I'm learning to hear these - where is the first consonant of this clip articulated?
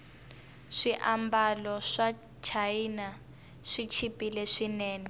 retroflex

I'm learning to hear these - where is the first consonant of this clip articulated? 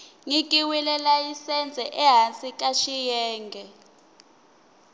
velum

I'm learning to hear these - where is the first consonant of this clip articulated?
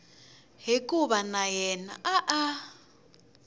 throat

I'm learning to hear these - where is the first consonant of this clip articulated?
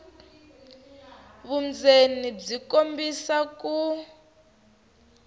lips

